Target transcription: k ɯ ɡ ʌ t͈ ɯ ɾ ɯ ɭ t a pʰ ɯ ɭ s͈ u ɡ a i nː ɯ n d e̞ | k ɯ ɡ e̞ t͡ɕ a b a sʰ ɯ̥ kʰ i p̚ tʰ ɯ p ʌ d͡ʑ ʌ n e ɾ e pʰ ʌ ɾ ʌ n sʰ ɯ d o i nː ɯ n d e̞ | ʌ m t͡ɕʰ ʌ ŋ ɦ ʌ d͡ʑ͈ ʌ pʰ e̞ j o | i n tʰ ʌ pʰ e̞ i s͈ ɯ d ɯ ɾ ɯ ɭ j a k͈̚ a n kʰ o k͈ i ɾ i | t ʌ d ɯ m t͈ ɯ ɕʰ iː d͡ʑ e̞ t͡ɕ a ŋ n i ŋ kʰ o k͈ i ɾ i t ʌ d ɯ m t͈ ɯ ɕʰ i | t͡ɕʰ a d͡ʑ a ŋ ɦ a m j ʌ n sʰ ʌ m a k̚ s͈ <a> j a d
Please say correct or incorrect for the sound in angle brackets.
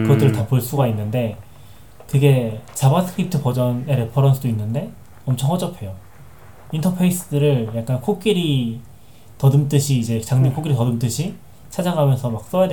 incorrect